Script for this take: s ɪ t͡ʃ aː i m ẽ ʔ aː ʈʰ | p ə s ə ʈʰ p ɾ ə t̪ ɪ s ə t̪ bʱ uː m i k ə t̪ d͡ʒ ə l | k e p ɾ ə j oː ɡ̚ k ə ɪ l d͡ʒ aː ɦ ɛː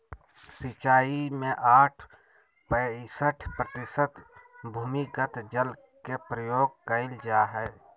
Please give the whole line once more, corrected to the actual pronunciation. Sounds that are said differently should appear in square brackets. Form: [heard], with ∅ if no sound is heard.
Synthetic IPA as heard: s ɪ t͡ʃ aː i m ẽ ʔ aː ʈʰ | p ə s ə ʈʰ p ɾ ə t̪ ɪ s ə t̪ bʱ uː m i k ə t̪ d͡ʒ ə l | k e p ɾ ə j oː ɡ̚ k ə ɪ l d͡ʒ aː ɦ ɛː